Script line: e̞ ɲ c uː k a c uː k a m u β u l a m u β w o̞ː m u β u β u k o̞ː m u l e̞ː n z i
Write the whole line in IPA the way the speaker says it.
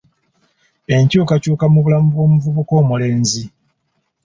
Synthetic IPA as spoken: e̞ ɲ c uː k a c uː k a m u β u l a m u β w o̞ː m u v u β u k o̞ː m u l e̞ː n z i

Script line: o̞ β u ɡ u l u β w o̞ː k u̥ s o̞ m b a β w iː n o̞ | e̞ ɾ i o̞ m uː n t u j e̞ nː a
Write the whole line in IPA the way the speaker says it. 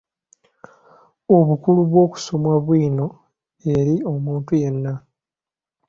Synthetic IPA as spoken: o̞ β u k u l u β w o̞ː k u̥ s o̞ m w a β w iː n o̞ | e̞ ɾ i o̞ m uː n t u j e̞ nː a

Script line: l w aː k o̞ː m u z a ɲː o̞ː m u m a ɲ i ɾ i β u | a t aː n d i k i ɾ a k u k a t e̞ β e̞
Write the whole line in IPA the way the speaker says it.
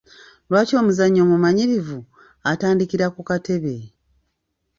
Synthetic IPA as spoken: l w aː c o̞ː m u z a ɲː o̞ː m u m a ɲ i ɾ i v u | a t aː n d i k i ɾ a k u k a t e̞ β e̞

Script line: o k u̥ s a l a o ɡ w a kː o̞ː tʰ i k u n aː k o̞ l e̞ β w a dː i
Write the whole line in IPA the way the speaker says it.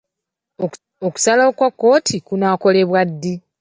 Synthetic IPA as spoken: o k u̥ s a l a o k w a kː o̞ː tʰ i k u n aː k o̞ l e̞ β w a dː i

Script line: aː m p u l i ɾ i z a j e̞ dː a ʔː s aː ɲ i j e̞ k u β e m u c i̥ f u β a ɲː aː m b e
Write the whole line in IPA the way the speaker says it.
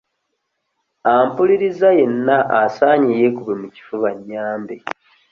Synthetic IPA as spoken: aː m p u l i ɾ i z a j e̞ nː a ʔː s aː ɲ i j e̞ k u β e m u c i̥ f u β a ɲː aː m b e

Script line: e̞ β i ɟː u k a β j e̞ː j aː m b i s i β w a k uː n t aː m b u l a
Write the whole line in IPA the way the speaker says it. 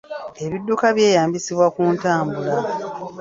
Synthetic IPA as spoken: e̞ β i dː u k a β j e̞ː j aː m b i s i β w a k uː n t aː m b u l a

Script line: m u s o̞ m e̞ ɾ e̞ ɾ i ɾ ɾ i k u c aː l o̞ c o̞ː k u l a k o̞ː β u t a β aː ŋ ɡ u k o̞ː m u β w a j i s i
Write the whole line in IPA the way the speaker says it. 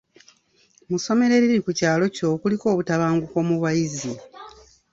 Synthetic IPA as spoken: m u s o̞ m e̞ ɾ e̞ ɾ i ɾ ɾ i k u c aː l o̞ c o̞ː k u l i k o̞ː β u t a β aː ŋ ɡ u k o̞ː m u β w a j i z i

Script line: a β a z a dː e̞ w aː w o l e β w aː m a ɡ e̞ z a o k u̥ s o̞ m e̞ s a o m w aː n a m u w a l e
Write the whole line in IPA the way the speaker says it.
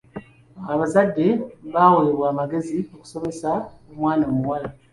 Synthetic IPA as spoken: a β a z a dː e̞ β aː w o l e β w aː m a ɡ e̞ z i o k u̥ s o̞ m e̞ s a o m w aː n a m u w a l a

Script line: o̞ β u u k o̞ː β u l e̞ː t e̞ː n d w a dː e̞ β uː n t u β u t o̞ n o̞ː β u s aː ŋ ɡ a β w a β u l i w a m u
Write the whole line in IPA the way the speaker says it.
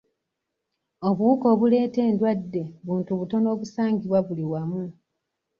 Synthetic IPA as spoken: o̞ β u u k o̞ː β u l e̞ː t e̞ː n d w a dː e̞ β uː n t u β u t o̞ n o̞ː β u s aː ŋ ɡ i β w a β u l i w a m u

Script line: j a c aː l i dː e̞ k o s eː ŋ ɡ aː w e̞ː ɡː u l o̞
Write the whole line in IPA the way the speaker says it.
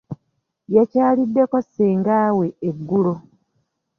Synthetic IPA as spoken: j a c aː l i dː e̞ k o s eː ŋ ɡ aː w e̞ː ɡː u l o̞

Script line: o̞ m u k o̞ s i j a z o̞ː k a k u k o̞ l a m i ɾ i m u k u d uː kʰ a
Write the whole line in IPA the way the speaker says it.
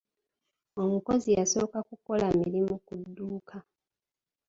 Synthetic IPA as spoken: o̞ m u k o̞ z i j a s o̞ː k a k u k o̞ l a m i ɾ i m u k u dː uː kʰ a

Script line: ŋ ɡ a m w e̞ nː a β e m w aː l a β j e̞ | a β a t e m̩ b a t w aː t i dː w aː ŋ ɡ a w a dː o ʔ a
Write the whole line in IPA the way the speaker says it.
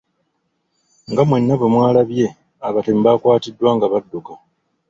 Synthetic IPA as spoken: ŋ ɡ a m w e̞ nː a β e m w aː l a β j e̞ | a β a t e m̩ b a k w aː t i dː w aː ŋ ɡ a β a dː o k a

